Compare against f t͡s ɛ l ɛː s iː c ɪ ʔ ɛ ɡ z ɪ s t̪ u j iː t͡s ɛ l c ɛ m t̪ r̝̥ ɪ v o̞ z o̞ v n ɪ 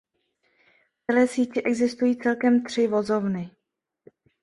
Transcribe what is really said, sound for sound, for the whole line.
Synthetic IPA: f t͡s ɛ l ɛː s iː c ɪ ʔ ɛ ɡ z ɪ s t̪ u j iː t͡s ɛ l k ɛ m t̪ r̝̥ ɪ v o̞ z o̞ v n ɪ